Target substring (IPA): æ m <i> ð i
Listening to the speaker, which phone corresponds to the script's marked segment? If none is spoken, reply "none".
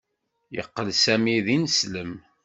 i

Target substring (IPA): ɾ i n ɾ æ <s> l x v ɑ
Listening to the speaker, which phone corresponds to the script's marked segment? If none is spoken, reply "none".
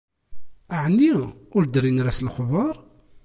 s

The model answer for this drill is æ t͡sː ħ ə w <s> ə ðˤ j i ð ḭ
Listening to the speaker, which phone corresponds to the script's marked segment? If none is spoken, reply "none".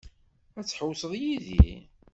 s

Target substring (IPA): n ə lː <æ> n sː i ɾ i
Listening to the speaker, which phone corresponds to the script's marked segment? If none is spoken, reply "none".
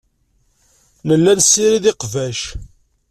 æ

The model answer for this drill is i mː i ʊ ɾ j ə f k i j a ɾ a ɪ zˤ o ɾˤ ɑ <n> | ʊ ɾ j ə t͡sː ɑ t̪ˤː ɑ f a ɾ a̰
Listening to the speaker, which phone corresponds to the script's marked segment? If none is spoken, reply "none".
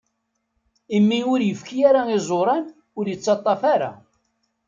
n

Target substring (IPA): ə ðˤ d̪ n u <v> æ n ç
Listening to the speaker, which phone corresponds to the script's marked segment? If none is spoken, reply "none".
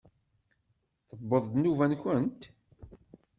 v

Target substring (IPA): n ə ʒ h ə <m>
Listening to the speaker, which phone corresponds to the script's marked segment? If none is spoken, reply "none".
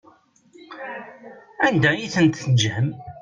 m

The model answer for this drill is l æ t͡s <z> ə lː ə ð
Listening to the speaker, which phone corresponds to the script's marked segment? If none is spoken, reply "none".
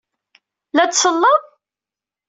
s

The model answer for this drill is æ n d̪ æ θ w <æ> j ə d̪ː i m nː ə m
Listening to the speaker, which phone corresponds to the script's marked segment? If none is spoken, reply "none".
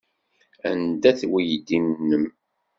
i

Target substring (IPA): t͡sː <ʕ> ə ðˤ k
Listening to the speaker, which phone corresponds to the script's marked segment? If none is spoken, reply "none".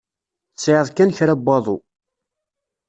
ʕ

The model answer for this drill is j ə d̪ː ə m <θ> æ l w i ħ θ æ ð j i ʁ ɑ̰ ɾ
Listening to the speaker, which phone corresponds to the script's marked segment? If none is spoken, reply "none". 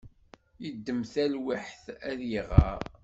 θ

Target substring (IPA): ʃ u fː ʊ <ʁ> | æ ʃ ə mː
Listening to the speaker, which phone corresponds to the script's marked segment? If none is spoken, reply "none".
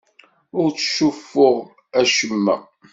ʁ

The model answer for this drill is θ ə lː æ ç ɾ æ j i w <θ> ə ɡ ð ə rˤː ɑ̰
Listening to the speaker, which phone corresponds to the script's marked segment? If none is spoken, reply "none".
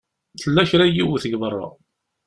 θ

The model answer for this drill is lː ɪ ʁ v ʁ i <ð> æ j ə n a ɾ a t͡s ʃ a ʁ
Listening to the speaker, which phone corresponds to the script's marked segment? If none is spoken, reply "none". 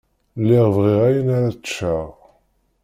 ʁ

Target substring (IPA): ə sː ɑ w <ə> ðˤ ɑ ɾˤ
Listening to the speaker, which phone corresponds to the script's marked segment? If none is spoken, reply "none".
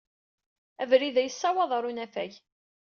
ɑ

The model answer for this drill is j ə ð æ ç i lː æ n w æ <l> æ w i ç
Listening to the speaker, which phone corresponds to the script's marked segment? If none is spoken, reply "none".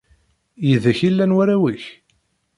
ɾ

